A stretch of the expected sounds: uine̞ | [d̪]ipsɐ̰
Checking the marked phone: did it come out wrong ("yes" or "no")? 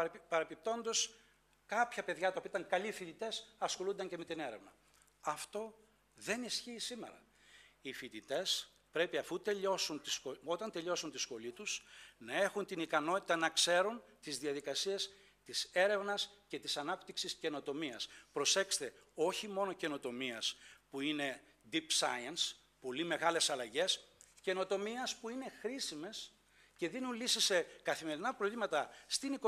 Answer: no